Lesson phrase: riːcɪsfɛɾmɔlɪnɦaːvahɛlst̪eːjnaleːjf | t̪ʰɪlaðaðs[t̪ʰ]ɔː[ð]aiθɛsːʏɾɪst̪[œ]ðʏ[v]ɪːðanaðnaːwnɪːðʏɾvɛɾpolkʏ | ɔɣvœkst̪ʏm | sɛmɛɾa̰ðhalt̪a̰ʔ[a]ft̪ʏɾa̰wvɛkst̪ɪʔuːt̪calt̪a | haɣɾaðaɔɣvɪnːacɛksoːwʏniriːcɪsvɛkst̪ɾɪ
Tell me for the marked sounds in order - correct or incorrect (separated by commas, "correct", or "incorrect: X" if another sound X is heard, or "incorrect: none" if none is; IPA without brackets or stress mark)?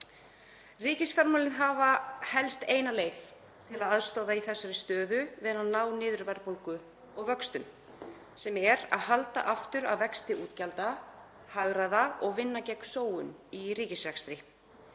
incorrect: t̪, correct, incorrect: œː, correct, correct